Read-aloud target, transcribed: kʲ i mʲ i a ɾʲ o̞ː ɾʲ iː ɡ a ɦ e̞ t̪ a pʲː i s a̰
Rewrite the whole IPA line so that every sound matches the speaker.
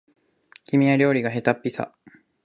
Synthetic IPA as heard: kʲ i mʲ i a ɾʲ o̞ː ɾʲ i ɡ a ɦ e̞ t̪ a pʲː i s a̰